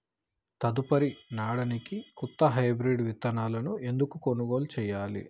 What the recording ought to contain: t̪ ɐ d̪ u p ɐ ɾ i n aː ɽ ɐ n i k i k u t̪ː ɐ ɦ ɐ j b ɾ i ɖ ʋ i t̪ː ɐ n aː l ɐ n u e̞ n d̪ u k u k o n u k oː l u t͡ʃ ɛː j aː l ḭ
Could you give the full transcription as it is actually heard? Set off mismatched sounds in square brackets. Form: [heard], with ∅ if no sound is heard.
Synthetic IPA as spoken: t̪ ɐ d̪ u p ɐ ɾ i n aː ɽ ɐ n i k i k u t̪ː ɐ ɦ ɐ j b ɾ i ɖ ʋ i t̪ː ɐ n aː l ɐ n u e̞ n d̪ u k u k o n u [ɡ] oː l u t͡ʃ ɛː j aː l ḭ